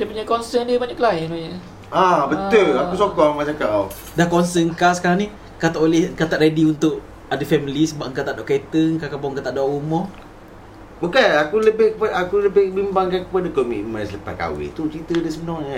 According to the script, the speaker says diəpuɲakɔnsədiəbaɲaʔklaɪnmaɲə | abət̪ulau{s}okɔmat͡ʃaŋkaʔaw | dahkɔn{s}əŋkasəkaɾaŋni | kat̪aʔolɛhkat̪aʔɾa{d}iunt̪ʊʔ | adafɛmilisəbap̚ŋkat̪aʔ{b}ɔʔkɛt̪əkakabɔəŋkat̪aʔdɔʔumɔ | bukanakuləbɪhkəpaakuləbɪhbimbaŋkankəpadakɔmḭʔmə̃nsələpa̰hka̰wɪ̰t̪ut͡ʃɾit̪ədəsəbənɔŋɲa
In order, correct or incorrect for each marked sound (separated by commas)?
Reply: correct, correct, correct, incorrect